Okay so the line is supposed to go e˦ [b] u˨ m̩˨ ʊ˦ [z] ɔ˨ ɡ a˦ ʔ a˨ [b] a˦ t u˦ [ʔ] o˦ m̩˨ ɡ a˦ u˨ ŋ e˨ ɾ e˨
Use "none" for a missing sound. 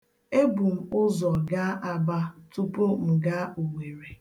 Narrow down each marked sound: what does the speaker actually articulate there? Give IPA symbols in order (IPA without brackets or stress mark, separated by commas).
b, z, b, p